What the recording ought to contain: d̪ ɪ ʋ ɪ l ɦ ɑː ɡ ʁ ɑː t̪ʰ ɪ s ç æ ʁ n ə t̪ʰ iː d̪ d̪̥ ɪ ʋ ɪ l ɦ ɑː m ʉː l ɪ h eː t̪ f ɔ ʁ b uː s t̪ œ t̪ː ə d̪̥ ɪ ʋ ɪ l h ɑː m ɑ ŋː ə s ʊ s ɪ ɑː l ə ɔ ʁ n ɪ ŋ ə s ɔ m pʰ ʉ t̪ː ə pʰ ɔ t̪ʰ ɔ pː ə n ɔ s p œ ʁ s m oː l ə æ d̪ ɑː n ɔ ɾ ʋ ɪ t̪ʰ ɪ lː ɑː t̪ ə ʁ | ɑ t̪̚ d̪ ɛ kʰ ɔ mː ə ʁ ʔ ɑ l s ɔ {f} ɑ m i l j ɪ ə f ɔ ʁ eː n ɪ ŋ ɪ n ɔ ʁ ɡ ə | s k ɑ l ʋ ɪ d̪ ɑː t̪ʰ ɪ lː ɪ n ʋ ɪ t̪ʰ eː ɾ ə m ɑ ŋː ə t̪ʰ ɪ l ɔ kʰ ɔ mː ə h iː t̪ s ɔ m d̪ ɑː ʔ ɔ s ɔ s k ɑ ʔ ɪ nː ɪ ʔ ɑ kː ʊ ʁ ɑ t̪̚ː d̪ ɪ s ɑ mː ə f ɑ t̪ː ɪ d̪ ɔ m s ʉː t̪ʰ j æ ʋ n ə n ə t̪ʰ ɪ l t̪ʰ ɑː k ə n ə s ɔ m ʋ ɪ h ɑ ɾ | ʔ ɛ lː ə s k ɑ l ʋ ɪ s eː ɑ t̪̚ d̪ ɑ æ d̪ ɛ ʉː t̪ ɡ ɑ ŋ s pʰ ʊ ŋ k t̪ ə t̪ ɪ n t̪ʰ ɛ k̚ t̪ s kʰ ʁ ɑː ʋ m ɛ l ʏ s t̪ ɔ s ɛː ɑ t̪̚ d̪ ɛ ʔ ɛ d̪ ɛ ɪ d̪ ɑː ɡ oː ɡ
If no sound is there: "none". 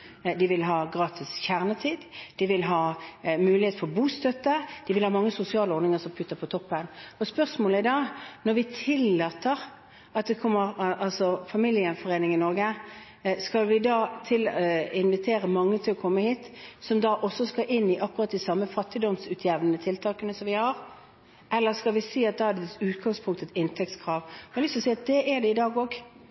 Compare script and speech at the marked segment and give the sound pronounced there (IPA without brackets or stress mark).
f